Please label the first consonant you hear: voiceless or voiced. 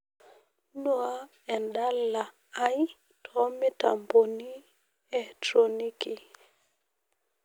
voiced